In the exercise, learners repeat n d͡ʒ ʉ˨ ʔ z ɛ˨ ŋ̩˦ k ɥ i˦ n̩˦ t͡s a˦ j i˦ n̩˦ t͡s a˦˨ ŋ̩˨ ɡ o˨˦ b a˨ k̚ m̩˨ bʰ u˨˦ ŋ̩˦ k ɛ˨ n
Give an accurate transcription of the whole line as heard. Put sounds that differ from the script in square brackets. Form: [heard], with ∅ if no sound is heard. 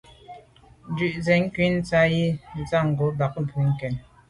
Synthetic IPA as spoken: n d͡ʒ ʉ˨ ʔ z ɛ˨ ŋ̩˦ k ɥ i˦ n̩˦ t͡s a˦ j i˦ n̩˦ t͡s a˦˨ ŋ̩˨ ɡ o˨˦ b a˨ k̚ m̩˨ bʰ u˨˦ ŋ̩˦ k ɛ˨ n